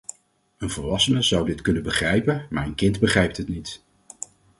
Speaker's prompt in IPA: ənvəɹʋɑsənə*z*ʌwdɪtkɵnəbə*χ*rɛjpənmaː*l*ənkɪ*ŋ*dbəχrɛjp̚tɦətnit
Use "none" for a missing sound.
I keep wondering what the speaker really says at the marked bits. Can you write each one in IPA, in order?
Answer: z, χ, ɹ, n

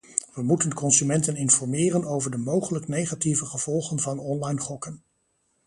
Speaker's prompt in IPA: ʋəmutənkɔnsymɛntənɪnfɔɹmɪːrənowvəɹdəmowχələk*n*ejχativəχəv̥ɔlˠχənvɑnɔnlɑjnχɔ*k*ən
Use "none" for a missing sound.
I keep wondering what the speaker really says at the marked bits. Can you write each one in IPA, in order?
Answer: n, k

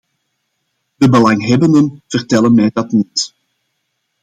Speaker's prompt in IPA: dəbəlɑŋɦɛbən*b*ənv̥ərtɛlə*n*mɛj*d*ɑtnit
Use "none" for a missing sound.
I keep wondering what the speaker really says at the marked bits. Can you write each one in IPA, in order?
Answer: d, n, d

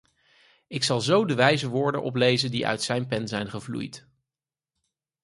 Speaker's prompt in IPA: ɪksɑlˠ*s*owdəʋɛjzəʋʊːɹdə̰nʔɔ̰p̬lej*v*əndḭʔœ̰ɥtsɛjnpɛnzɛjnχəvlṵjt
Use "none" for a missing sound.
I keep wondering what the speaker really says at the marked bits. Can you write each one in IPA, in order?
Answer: z, z

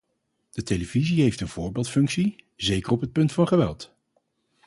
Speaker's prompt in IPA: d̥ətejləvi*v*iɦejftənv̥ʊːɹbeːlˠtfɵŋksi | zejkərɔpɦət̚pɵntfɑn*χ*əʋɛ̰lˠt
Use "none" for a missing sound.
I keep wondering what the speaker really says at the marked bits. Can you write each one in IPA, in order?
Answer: z, χ

